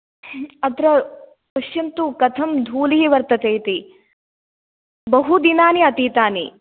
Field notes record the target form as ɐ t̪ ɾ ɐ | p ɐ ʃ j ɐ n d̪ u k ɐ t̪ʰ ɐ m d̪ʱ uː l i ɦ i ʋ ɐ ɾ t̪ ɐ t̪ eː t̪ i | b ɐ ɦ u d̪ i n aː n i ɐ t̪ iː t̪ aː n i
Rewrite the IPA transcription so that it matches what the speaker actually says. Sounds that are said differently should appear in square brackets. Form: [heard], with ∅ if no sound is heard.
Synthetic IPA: ɐ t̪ ɾ ɐ | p ɐ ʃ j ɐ n [t̪] u k ɐ t̪ʰ ɐ m d̪ʱ uː l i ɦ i ʋ ɐ ɾ t̪ ɐ t̪ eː t̪ i | b ɐ ɦ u d̪ i n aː n i ɐ t̪ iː t̪ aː n i

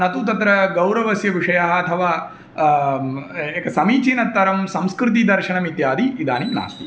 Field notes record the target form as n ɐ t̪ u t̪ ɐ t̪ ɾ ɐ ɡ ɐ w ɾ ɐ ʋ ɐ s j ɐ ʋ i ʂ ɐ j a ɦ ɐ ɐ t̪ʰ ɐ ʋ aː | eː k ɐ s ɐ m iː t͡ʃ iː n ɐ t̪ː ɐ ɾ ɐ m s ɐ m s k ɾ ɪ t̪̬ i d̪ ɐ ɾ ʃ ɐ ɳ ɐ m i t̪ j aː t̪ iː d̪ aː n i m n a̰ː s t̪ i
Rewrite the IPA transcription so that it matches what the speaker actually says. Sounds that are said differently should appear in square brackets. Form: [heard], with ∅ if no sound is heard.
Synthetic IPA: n ɐ t̪ u t̪ ɐ t̪ ɾ ɐ ɡ ɐ w ɾ ɐ ʋ ɐ s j ɐ ʋ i ʂ ɐ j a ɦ ɐ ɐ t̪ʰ ɐ ʋ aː | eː k ɐ s ɐ m iː t͡ʃ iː n ɐ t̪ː ɐ ɾ ɐ m s ɐ m s k ɾ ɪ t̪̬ i d̪ ɐ ɾ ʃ ɐ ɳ ɐ m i t̪ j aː [d̪] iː d̪ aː n i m n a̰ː s t̪ i

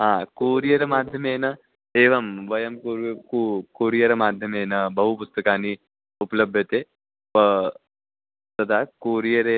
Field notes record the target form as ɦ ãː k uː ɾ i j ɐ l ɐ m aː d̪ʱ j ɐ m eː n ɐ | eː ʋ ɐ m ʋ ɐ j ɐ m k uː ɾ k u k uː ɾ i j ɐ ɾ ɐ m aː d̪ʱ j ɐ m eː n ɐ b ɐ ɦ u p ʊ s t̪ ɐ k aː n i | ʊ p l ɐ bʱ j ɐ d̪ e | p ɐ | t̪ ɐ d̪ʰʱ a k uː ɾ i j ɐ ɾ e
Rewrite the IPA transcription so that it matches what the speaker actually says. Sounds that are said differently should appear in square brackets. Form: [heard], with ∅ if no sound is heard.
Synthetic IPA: ɦ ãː k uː ɾ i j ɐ [ɾ] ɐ m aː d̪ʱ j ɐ m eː n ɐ | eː ʋ ɐ m ʋ ɐ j ɐ m k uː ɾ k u k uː ɾ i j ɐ ɾ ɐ m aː d̪ʱ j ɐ m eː n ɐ b ɐ ɦ u p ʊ s t̪ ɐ k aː n i | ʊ p l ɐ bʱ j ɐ [t̪] e | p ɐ | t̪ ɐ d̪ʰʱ a k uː ɾ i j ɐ ɾ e

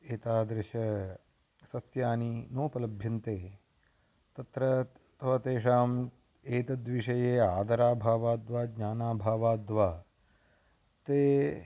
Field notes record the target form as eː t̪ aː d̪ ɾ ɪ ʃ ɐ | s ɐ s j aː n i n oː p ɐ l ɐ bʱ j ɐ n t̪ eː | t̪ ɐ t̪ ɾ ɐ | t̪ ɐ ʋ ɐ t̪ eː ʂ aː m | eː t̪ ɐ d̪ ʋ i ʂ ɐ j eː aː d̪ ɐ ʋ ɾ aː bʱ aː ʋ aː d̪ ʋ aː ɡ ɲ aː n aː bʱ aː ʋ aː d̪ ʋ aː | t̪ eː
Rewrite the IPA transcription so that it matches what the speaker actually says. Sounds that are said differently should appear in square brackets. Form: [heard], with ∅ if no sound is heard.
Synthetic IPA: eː t̪ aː d̪ ɾ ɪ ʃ ɐ | s ɐ s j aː n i n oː p ɐ l ɐ bʱ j ɐ n t̪ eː | t̪ ɐ t̪ ɾ ɐ | t̪ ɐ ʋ ɐ t̪ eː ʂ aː m | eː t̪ ɐ d̪ ʋ i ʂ ɐ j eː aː d̪ ɐ [∅] ɾ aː bʱ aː ʋ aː d̪ ʋ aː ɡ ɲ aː n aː bʱ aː ʋ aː d̪ ʋ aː | t̪ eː

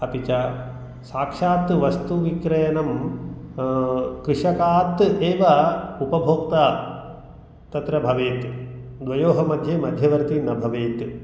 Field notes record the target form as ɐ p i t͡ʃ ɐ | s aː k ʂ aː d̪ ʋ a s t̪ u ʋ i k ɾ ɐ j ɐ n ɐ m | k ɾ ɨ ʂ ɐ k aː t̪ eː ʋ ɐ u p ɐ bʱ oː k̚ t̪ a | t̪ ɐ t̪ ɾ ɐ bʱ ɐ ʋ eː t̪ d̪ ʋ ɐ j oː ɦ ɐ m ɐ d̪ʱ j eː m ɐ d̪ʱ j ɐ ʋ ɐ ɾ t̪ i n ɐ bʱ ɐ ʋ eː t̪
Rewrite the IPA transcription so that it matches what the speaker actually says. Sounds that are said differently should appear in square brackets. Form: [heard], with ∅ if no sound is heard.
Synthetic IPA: ɐ p i t͡ʃ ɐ | s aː k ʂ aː [t̪] ʋ [ɐ] s t̪ u ʋ i k ɾ ɐ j ɐ n ɐ m | k ɾ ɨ ʂ ɐ k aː t̪ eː ʋ ɐ u p ɐ bʱ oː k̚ t̪ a | t̪ ɐ t̪ ɾ ɐ bʱ ɐ ʋ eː t̪ d̪ ʋ ɐ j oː ɦ ɐ m ɐ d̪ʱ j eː m ɐ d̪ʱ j ɐ ʋ ɐ ɾ t̪ i n ɐ bʱ ɐ ʋ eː t̪

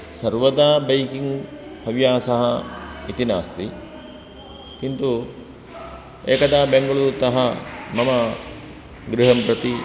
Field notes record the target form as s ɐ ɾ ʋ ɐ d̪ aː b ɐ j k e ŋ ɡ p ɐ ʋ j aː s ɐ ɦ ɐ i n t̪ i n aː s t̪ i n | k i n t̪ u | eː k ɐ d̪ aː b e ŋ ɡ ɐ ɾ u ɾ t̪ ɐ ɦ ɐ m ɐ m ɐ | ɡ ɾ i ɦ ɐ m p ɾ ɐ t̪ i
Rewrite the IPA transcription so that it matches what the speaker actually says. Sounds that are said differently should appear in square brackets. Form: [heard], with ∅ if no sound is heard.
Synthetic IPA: s ɐ ɾ ʋ ɐ d̪ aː b ɐ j k [i] ŋ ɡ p ɐ ʋ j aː s ɐ ɦ ɐ i [∅] t̪ i n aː s t̪ i [∅] | k i n t̪ u | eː k ɐ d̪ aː b e ŋ ɡ ɐ [ɭ] u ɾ t̪ ɐ ɦ ɐ m ɐ m ɐ | ɡ ɾ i ɦ ɐ m p ɾ ɐ t̪ i

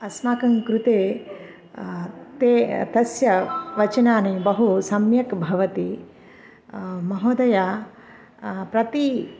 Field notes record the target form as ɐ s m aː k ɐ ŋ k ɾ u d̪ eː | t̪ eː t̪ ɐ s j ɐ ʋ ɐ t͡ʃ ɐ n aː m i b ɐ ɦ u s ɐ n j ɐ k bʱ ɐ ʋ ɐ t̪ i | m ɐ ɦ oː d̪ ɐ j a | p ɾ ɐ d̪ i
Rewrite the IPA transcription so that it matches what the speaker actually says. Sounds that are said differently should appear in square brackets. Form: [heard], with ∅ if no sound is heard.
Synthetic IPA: ɐ s m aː k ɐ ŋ k ɾ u [t̪] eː | t̪ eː t̪ ɐ s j ɐ ʋ ɐ t͡ʃ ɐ n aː [n] i b ɐ ɦ u s ɐ [m] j ɐ k bʱ ɐ ʋ ɐ t̪ i | m ɐ ɦ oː d̪ ɐ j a | p ɾ ɐ [t̪] i

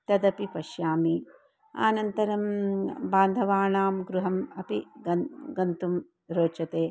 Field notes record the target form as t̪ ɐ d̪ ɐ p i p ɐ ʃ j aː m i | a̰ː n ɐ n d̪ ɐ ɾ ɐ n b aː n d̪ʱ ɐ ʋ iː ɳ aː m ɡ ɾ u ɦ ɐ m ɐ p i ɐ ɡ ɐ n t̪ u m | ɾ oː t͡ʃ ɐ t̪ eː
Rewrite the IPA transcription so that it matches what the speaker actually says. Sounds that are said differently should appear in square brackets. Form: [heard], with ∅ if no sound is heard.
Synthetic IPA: t̪ ɐ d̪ ɐ p i p ɐ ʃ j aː m i | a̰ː n ɐ n [t̪] ɐ ɾ ɐ [m] b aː n d̪ʱ ɐ ʋ [aː] ɳ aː m ɡ ɾ u ɦ ɐ m ɐ p i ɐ ɡ ɐ n t̪ u m | ɾ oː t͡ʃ ɐ t̪ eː

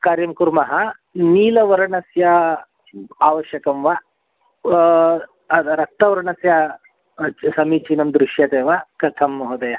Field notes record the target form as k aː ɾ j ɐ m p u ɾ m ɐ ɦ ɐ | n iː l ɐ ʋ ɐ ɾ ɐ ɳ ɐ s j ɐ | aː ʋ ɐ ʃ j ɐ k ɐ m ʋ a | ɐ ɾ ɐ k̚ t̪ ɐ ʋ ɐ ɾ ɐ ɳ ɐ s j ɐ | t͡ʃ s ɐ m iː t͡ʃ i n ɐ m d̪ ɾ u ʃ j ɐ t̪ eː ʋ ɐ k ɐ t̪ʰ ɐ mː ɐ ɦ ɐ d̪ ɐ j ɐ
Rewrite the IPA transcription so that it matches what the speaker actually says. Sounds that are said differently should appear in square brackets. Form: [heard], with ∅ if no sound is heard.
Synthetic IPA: k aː ɾ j ɐ m [k] u ɾ m ɐ ɦ ɐ | n iː l ɐ ʋ ɐ ɾ ɐ ɳ ɐ s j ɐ | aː ʋ ɐ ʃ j ɐ k ɐ m ʋ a | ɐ ɾ ɐ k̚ t̪ ɐ ʋ ɐ ɾ ɐ ɳ ɐ s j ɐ | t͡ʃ s ɐ m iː t͡ʃ i n ɐ m d̪ ɾ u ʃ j ɐ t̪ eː ʋ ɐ k ɐ t̪ʰ ɐ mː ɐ ɦ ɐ d̪ ɐ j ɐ

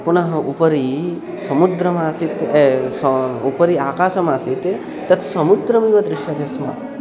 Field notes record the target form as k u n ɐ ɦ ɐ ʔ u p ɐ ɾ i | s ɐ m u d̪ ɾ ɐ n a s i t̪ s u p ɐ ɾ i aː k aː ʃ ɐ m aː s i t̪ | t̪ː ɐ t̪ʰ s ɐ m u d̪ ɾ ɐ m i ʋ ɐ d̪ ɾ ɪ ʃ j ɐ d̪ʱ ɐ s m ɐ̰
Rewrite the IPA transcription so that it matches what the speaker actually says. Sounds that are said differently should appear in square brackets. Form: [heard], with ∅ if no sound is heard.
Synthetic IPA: [p] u n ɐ ɦ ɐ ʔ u p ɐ ɾ i | s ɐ m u d̪ ɾ ɐ [m] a s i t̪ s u p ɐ ɾ i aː k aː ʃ ɐ m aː s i t̪ | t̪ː ɐ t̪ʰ s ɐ m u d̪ ɾ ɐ m i ʋ ɐ d̪ ɾ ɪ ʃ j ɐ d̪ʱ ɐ s m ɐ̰

